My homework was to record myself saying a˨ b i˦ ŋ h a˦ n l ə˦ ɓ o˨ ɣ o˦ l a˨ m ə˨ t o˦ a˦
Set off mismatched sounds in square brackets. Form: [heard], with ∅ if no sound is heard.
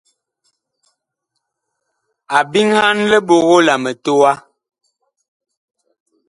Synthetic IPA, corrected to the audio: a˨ b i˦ ŋ h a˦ n l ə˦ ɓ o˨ ɣ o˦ l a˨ m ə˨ t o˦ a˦